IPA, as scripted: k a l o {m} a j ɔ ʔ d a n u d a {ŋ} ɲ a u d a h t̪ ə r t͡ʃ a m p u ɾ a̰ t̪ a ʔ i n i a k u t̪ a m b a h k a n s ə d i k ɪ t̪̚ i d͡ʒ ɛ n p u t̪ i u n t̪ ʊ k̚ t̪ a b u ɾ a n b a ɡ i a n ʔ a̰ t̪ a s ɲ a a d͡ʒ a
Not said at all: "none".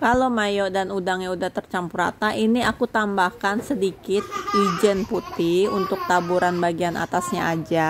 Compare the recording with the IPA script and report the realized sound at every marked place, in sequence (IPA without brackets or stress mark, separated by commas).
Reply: m, ŋ